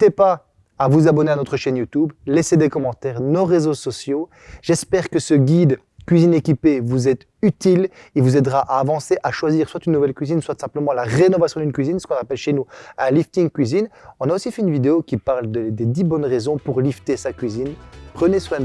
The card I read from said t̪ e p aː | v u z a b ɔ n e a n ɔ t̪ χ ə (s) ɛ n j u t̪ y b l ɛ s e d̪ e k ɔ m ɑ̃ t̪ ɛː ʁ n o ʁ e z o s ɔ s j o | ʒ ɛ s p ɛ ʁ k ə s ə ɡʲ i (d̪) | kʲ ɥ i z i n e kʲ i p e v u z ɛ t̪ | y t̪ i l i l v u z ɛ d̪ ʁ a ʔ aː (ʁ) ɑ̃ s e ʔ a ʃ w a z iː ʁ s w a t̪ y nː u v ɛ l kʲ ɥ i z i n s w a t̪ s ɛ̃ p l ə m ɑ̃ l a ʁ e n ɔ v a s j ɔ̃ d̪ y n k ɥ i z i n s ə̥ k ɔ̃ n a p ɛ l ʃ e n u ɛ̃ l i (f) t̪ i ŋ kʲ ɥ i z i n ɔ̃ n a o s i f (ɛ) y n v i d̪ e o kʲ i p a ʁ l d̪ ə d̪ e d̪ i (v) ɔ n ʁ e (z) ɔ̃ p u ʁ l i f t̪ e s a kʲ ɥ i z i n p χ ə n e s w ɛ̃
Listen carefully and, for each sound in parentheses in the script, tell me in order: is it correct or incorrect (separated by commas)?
incorrect, correct, incorrect, correct, correct, incorrect, correct